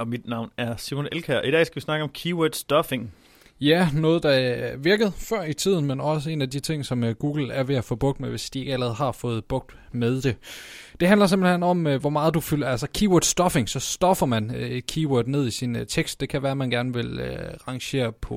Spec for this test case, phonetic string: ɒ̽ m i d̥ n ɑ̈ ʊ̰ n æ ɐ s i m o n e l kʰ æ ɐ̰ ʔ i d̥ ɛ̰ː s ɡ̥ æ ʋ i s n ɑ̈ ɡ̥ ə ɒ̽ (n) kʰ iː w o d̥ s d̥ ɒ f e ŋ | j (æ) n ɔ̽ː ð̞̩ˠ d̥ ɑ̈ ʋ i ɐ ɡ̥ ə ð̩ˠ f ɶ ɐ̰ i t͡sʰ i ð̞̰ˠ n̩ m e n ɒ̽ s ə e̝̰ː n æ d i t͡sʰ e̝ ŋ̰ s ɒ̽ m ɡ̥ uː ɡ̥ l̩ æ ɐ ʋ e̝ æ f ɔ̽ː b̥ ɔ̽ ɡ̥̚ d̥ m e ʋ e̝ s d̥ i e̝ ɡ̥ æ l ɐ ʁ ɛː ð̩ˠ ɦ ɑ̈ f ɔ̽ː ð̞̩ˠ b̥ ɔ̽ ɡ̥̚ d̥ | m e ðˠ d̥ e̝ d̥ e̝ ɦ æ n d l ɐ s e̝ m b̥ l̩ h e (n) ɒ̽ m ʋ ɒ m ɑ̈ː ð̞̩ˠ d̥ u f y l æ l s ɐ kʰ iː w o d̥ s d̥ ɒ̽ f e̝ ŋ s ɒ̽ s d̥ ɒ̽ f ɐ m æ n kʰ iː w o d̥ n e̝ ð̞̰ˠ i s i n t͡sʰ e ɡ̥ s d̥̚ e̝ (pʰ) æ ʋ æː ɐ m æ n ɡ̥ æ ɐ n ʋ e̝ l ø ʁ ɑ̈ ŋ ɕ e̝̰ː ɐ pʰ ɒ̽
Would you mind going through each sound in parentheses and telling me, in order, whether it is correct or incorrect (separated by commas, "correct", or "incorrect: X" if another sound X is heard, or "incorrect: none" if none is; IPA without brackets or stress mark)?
incorrect: m, correct, correct, incorrect: kʰ